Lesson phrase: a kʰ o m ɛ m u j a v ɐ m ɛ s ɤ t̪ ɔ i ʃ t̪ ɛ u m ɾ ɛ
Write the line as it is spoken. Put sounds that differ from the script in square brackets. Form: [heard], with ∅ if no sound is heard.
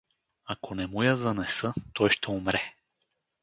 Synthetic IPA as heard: a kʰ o [n] ɛ m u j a [z] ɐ [n] ɛ s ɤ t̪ ɔ [j] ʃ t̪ ɛ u m ɾ ɛ